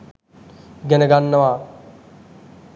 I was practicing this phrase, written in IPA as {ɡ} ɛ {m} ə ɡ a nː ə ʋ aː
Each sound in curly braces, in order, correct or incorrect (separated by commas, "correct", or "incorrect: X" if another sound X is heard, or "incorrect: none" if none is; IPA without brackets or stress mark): correct, incorrect: n